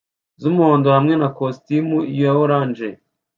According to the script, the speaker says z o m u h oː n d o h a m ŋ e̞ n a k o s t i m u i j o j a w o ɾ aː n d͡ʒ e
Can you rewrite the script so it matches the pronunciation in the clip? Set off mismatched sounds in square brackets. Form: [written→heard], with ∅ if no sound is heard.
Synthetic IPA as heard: z [o→u] m u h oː n d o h a m ŋ e̞ n a k o s t i m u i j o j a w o ɾ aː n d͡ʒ e